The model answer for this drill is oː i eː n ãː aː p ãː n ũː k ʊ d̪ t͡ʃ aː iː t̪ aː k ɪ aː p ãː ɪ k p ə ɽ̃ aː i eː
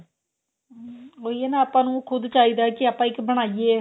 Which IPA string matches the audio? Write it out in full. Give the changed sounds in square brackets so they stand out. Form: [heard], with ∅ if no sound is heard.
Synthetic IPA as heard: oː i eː n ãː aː p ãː n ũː [kʰ] ʊ d̪ t͡ʃ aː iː [d̪] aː k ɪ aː p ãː ɪ k [b] ə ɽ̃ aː i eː